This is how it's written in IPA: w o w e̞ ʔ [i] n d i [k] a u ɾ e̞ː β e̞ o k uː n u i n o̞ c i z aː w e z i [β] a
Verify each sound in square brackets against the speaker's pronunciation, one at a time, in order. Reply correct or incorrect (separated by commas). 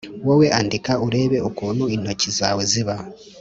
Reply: incorrect, correct, correct